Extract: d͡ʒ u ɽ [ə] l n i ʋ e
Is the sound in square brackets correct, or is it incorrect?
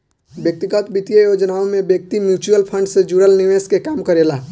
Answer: correct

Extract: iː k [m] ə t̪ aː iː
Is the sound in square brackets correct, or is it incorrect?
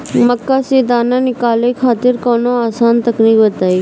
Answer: incorrect: b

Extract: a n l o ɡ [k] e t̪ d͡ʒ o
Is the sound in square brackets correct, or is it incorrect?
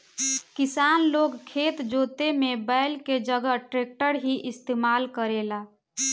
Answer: incorrect: kʰ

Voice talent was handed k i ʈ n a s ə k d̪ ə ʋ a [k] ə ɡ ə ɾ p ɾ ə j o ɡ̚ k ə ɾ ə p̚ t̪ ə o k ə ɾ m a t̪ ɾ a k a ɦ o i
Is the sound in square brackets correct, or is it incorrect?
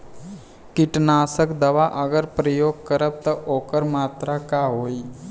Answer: incorrect: ʔ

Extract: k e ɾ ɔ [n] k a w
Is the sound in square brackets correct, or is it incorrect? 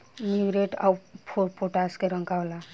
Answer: incorrect: ŋ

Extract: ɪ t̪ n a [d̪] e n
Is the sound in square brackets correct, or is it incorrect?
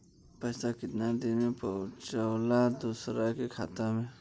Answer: correct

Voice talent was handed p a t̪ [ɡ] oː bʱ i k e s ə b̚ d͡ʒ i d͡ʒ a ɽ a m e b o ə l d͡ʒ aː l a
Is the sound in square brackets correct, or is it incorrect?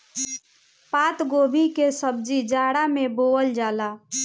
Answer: correct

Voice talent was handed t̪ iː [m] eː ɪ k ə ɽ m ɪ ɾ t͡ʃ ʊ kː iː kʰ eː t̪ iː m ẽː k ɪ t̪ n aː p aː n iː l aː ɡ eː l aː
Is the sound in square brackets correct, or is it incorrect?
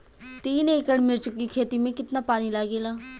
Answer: incorrect: n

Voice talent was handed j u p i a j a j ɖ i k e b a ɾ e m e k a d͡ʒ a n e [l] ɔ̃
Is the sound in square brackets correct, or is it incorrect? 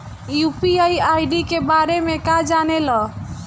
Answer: correct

